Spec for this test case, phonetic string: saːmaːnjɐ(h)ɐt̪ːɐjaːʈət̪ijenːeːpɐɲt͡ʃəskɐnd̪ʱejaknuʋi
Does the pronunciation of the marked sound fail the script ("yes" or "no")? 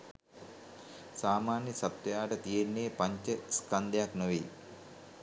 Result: yes